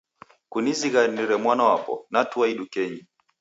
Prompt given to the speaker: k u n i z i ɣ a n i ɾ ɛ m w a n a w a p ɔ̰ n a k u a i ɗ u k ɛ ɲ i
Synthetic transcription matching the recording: k u n i z i ɣ a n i ɾ ɛ m w a n a w a p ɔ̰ n a t u a i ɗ u k ɛ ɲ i